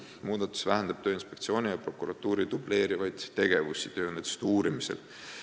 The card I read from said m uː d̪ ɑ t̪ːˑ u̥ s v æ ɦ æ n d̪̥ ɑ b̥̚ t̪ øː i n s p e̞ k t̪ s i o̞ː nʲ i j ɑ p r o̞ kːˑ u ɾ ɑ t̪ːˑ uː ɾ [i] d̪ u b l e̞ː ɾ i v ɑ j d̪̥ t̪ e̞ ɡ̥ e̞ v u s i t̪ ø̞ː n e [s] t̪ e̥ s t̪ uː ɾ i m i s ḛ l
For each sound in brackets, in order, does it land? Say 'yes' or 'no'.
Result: yes, no

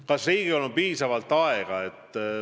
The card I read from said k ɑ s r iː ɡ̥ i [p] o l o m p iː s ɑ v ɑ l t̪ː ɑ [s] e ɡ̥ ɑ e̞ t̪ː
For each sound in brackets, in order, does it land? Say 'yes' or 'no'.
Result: no, no

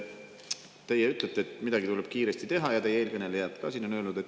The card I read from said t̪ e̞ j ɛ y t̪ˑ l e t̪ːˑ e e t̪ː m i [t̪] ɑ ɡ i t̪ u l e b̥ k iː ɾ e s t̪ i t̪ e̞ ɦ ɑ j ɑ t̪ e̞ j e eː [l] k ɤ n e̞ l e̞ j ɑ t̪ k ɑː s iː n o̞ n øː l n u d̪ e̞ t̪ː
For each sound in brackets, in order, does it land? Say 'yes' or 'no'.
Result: no, yes

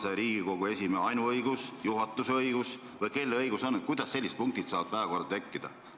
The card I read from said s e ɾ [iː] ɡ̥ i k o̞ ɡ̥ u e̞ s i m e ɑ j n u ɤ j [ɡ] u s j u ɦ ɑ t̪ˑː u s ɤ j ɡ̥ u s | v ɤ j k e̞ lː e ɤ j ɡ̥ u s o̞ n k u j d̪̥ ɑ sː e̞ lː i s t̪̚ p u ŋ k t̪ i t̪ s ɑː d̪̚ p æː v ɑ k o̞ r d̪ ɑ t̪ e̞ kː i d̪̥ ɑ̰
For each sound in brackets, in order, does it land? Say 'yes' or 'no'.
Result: yes, yes

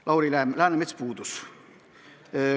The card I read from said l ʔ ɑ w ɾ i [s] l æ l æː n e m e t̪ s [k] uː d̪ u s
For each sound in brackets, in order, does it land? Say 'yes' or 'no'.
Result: no, no

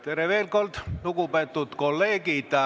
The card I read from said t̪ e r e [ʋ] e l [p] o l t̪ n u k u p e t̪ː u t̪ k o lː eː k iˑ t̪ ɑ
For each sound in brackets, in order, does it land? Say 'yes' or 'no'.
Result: yes, no

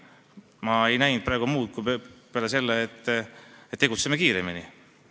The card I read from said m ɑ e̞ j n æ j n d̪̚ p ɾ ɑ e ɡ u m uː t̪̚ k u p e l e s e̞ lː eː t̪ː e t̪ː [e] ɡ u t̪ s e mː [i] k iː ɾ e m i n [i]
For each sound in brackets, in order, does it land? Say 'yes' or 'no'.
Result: yes, no, yes

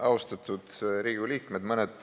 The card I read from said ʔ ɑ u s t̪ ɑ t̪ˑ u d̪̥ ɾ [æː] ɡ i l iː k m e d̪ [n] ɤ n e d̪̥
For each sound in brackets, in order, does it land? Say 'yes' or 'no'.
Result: no, no

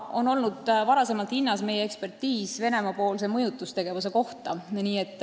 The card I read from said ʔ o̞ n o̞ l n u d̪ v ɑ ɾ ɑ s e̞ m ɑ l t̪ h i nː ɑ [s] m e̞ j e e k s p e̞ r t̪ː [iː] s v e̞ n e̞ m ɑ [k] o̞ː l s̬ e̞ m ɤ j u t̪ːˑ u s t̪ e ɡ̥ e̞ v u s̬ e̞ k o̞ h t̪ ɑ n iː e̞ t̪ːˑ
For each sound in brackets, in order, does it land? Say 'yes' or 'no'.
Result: yes, yes, no

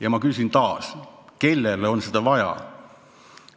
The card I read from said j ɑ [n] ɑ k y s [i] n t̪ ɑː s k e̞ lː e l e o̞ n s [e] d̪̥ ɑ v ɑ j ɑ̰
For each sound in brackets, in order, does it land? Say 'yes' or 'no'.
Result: no, yes, yes

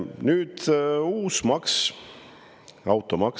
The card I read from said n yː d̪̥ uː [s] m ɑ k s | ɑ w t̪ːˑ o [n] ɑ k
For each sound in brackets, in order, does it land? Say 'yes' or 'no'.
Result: yes, no

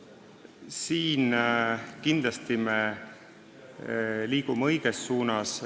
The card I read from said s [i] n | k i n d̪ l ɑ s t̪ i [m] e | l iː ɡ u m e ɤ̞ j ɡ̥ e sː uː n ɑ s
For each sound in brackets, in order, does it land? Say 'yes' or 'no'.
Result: no, yes

